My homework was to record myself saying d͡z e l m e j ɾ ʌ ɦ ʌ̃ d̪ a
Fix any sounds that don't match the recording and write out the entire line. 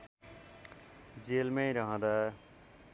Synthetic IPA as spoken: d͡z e l m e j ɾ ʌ ɦ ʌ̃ d̪ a